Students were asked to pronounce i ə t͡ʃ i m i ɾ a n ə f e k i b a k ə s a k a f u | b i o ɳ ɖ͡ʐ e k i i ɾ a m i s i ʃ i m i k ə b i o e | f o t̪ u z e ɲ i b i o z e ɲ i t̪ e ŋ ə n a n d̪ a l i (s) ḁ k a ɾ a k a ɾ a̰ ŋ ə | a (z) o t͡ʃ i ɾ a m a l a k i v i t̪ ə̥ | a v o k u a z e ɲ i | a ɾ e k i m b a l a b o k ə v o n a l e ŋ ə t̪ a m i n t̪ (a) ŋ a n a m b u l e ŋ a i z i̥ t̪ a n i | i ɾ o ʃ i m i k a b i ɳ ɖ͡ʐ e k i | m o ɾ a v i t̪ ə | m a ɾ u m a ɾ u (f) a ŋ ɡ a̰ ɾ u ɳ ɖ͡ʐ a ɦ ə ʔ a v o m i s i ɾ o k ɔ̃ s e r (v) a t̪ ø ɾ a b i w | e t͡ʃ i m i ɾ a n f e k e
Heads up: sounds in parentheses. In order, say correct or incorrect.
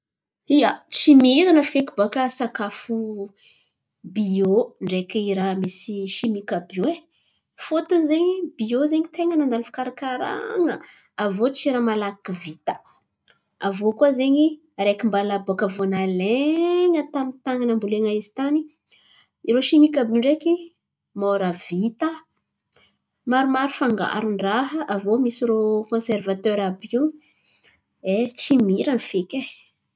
incorrect: f, incorrect: v, correct, correct, correct

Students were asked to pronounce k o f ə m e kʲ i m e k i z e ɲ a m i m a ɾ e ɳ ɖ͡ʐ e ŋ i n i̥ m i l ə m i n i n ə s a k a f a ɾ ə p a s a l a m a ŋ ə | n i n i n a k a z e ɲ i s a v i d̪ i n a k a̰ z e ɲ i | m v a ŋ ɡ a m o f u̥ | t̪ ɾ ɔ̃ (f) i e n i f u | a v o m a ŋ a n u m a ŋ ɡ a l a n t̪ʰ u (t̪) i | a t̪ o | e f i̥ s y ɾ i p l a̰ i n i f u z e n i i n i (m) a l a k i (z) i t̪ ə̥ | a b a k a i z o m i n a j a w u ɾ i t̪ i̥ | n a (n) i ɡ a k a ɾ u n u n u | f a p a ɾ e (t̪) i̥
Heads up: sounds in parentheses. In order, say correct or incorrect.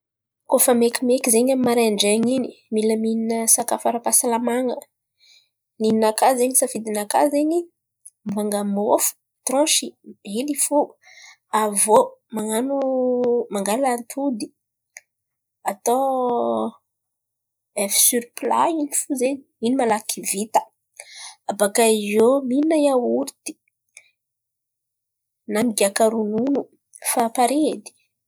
incorrect: ʃ, incorrect: d̪, correct, incorrect: v, incorrect: m, incorrect: d̪

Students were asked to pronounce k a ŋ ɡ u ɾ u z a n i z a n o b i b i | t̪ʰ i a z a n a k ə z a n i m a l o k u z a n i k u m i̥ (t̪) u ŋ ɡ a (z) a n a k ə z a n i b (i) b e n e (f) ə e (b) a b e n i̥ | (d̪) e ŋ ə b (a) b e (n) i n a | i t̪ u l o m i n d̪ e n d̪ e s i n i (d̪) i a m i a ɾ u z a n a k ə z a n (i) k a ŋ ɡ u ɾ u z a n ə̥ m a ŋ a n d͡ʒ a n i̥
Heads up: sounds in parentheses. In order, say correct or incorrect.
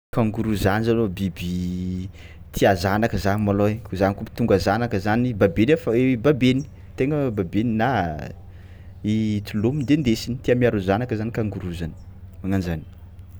correct, correct, incorrect: a, correct, correct, incorrect: t̪, correct, correct, incorrect: t̪, correct

